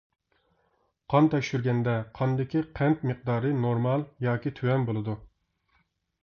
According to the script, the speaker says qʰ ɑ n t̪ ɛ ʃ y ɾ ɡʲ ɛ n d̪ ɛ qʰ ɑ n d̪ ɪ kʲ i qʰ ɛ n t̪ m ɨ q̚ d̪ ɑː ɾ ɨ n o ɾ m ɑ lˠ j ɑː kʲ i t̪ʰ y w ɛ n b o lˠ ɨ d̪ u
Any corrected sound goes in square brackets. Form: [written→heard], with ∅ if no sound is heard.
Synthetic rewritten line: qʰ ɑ n t̪ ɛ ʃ y ɾ ɡʲ ɛ n d̪ ɛ qʰ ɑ n d̪ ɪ kʲ i qʰ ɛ n t̪ m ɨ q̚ d̪ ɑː ɾ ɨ n o ɾ m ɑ lˠ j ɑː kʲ i t̪ʰ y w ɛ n b o lˠ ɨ d̪ u